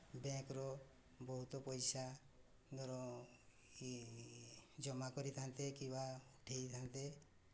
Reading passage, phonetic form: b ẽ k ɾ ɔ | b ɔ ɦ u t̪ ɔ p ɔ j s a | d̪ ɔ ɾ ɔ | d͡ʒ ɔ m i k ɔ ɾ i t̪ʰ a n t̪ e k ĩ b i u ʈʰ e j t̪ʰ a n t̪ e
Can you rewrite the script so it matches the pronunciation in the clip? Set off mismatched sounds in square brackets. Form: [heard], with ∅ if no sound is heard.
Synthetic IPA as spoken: b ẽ k ɾ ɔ | b ɔ ɦ u t̪ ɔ p ɔ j s a | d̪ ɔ ɾ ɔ | d͡ʒ ɔ m [a] k ɔ ɾ i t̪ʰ a n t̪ e k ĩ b [a] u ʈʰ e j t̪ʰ a n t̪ e